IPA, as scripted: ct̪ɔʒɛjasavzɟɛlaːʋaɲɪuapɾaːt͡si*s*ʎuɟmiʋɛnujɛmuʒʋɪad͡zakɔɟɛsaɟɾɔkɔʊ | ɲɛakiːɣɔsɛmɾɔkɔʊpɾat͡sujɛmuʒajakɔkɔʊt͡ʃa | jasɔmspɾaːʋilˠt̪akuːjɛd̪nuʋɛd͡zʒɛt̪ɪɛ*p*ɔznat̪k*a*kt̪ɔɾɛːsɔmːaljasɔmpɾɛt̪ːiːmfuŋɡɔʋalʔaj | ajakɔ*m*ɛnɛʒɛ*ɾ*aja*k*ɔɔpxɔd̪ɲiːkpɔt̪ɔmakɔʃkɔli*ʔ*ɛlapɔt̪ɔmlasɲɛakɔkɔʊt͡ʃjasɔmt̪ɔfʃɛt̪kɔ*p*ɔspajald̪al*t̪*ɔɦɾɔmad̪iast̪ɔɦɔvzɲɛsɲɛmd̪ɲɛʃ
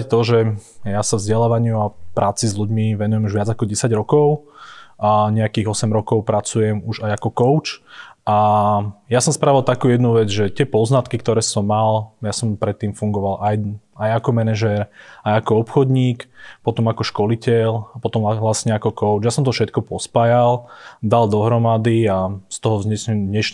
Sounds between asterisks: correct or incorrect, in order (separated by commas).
incorrect, correct, incorrect, correct, correct, correct, incorrect, correct, incorrect